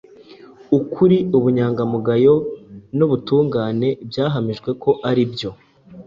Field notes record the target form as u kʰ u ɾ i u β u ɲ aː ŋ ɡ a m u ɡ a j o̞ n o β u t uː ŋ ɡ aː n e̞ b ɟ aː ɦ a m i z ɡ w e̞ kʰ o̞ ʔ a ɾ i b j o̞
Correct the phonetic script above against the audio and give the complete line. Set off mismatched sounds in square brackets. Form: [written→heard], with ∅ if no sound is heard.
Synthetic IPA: u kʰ u ɾ i u β u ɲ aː ŋ ɡ a m u ɡ a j o̞ n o β u t uː ŋ ɡ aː n e̞ b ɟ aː ɦ a m i [z→ʒ] ɡ w e̞ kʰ o̞ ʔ a ɾ i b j o̞